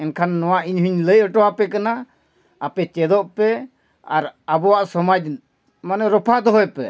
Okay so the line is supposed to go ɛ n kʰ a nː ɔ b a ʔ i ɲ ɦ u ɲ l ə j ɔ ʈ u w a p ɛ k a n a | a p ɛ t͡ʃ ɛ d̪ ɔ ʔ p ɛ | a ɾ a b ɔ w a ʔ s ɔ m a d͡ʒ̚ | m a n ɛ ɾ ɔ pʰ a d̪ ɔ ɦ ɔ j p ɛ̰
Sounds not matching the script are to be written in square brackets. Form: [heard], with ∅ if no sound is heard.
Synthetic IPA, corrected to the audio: ɛ n kʰ a nː ɔ [w] a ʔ i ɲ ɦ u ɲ l ə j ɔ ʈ [ɔ] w a p ɛ k a n a | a p ɛ t͡ʃ ɛ d̪ ɔ ʔ p ɛ | a ɾ a b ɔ w a ʔ s ɔ m a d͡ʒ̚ | m a n ɛ ɾ ɔ pʰ a d̪ ɔ ɦ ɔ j p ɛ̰